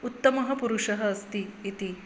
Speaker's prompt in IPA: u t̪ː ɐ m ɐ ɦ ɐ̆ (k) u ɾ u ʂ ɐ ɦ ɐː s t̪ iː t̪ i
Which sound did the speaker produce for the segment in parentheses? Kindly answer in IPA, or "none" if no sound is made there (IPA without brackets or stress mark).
p